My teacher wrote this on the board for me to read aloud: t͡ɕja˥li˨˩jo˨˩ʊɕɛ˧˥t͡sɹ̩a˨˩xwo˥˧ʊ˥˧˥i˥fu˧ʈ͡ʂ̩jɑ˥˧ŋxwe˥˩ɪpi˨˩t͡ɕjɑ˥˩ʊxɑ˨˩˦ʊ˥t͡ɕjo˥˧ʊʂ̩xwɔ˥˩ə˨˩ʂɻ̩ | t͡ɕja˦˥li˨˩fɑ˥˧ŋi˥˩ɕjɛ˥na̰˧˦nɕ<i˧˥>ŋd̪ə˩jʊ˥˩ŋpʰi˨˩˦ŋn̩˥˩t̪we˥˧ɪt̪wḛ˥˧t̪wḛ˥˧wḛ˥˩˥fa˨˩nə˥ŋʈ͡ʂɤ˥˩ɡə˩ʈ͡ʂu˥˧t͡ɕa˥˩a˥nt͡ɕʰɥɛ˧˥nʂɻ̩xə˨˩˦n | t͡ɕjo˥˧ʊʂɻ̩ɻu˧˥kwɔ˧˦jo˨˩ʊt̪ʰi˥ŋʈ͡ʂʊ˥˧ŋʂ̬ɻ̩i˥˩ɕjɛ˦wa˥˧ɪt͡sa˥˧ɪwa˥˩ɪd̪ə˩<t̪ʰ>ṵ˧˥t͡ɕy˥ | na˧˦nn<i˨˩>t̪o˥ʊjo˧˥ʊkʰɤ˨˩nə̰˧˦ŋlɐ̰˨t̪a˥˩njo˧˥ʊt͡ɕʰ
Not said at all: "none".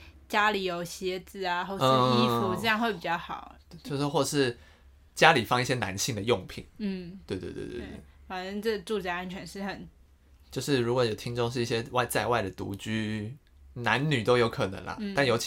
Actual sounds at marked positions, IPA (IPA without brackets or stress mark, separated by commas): i˥˩, t̪, y˨˩